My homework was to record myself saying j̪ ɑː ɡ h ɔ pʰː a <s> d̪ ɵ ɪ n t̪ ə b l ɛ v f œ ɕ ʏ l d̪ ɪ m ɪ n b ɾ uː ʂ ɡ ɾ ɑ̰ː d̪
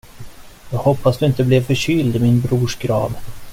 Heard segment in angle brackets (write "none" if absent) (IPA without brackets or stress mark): s